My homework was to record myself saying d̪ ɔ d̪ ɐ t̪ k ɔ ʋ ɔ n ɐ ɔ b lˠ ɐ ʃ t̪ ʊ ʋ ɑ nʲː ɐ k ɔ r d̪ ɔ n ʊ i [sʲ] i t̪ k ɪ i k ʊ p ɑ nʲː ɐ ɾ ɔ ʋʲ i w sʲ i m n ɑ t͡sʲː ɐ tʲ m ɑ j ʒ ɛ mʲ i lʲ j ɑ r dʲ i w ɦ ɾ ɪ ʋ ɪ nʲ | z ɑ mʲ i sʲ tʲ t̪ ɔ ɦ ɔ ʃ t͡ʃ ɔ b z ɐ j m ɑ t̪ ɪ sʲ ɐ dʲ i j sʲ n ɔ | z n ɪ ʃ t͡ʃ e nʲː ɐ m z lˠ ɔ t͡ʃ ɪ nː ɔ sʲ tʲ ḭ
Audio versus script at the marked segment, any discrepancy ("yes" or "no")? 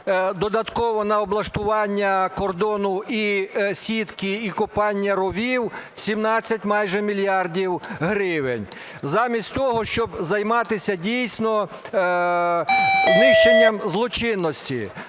no